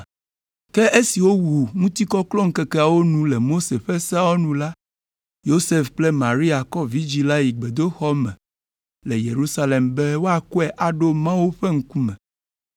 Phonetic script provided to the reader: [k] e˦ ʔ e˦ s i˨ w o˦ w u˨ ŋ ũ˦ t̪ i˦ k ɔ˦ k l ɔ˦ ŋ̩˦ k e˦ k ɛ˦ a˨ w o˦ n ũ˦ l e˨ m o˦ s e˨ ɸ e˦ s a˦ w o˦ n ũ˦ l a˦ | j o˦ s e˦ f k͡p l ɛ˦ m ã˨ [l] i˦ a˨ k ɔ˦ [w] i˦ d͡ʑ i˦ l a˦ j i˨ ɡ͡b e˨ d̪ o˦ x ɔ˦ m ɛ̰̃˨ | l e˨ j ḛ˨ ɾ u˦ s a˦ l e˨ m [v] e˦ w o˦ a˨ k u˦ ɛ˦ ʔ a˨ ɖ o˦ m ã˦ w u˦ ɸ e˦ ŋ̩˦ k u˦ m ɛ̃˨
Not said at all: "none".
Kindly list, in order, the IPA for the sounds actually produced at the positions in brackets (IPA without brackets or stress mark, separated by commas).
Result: k, ɾ, v, b